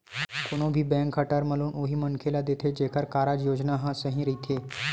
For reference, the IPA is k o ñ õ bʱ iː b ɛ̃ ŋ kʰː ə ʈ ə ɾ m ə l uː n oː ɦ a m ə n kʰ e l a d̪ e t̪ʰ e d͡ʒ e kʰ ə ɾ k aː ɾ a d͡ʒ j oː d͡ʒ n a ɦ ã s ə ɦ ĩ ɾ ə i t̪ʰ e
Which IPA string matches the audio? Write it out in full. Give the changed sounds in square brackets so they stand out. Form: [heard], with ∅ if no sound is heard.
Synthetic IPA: k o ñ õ bʱ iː b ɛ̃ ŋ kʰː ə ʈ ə ɾ m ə l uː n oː ɦ [i] m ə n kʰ e l a d̪ e t̪ʰ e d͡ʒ e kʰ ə ɾ k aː ɾ a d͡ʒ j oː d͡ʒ n a ɦ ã s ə ɦ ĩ ɾ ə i t̪ʰ e

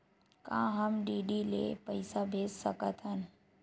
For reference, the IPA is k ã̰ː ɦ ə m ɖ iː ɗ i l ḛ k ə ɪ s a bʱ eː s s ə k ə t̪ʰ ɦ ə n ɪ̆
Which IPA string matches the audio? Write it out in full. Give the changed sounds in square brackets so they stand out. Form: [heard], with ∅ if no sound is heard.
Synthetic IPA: k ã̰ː ɦ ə m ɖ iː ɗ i l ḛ [p] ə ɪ s a bʱ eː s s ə k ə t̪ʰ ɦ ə n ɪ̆

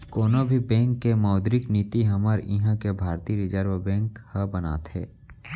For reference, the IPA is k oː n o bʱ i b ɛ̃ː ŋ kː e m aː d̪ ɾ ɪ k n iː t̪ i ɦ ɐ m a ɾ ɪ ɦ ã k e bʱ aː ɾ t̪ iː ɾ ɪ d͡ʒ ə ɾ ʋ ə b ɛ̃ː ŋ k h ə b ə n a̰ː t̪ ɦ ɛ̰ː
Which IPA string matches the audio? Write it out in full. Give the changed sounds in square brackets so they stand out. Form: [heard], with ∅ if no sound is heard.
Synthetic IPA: k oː n o bʱ i b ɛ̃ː ŋ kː e m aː d̪ ɾ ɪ k n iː t̪ i ɦ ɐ m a ɾ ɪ ɦ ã k e bʱ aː ɾ t̪ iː ɾ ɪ d͡ʒ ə ɾ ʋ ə b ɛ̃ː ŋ k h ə b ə n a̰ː t̪ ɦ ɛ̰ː

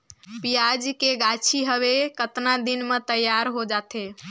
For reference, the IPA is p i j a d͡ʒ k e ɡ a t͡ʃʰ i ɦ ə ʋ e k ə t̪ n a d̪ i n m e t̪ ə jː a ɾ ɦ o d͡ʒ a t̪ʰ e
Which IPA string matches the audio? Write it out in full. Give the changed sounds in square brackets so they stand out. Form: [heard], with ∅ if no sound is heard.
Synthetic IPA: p i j a d͡ʒ k e ɡ a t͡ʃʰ i ɦ ə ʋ e k ə t̪ n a d̪ i n m e t̪ ə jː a ɾ ɦ o d͡ʒ a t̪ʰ e

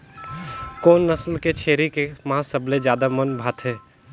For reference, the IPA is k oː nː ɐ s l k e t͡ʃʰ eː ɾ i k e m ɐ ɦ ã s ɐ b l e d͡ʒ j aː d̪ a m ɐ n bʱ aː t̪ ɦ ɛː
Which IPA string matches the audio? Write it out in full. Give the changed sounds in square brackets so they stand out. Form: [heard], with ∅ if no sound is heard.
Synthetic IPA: k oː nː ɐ s l k e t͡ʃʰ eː ɾ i k e m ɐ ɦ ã s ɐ b l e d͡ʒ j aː d̪ a m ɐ n bʱ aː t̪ ɦ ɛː

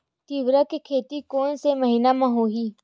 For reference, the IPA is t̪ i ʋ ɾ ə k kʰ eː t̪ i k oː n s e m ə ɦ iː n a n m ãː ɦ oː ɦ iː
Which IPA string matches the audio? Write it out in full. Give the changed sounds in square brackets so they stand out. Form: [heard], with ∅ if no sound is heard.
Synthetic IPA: t̪ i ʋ ɾ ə k kʰ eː t̪ i k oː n s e m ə ɦ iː n a [∅] m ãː ɦ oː ɦ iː

